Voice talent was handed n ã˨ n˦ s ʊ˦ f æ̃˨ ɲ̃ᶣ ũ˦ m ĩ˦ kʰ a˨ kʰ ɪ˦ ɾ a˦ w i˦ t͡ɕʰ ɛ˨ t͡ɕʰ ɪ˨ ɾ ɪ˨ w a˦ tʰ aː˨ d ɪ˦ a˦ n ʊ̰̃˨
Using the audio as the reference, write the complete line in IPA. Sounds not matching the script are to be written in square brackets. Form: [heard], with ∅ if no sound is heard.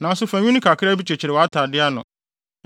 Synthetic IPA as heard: n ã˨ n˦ s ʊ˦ f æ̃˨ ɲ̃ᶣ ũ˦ [n] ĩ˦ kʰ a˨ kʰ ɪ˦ ɾ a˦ [b] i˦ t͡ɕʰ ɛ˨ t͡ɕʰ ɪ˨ ɾ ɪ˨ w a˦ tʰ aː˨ d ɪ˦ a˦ n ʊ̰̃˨

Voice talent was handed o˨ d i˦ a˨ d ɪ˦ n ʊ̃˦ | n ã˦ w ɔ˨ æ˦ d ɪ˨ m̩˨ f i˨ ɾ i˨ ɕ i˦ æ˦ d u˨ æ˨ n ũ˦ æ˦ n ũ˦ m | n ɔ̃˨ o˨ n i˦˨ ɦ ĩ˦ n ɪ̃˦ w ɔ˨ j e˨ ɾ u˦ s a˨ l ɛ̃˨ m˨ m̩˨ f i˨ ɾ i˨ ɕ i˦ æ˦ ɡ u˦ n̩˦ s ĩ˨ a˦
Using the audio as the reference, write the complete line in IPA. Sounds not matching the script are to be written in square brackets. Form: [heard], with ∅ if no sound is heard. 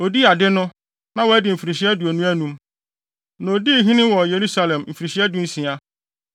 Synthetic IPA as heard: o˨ d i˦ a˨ d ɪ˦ n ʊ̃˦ | n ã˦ w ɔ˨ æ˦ d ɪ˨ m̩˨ f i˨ ɾ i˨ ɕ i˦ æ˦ d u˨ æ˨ n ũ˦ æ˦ n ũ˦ m | n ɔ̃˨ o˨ [d] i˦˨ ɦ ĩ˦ n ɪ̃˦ w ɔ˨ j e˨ ɾ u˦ s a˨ l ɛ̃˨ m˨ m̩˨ f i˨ ɾ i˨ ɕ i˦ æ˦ [d] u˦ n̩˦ s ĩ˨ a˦

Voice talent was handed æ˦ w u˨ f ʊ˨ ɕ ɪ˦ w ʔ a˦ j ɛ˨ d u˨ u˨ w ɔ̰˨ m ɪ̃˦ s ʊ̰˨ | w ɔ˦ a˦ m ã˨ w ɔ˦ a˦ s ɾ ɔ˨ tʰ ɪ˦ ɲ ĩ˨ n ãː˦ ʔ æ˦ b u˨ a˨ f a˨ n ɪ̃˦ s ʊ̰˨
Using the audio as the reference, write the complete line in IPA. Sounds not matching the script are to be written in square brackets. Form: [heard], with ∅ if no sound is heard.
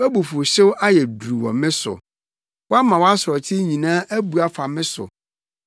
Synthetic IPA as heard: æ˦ [b] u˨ f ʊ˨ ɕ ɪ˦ w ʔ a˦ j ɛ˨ d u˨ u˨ w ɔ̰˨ m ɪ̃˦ s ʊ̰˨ | w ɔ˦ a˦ m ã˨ w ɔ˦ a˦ s ɾ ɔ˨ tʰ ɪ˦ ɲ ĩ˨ n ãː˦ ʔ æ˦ b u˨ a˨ f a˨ [m] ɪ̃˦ s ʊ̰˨

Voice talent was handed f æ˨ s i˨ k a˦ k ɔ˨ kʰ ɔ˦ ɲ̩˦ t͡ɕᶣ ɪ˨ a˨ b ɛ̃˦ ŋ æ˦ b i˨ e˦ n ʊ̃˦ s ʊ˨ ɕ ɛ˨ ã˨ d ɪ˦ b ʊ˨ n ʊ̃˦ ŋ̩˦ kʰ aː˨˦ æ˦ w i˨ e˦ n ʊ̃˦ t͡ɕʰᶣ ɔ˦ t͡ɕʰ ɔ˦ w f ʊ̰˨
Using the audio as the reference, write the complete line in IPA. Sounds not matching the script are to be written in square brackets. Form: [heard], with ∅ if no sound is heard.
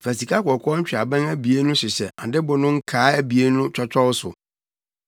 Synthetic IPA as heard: f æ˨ s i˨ k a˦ k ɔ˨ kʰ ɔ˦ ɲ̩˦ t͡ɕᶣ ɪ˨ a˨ b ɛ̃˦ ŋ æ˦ b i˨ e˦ n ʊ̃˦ s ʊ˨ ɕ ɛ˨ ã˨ d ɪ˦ b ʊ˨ n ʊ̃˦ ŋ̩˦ kʰ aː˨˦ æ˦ [b] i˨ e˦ n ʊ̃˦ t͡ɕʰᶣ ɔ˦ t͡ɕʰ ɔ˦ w [s] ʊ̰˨

